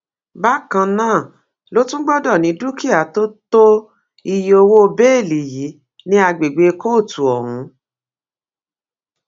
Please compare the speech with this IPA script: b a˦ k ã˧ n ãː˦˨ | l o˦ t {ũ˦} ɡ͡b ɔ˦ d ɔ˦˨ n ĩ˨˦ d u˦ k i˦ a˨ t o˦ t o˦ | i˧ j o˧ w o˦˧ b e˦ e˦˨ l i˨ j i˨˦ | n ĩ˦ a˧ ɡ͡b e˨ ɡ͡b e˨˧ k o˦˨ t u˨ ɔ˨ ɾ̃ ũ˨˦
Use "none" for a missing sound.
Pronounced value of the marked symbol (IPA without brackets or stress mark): ũ˦